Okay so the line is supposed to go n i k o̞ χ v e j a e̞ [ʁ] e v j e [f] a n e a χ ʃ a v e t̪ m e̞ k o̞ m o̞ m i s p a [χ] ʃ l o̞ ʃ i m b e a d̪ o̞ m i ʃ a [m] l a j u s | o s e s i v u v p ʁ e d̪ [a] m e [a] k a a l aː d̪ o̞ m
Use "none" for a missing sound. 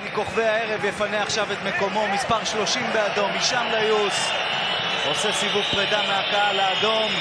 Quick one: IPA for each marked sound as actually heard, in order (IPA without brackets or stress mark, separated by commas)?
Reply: ʁ, f, ʁ, m, a, a